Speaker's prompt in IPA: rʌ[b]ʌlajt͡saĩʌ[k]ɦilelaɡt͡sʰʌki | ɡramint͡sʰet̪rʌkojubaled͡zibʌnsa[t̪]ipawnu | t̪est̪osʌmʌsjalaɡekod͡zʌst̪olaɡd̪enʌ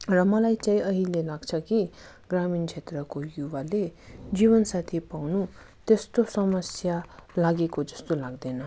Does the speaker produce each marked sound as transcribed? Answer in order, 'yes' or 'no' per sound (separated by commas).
no, no, no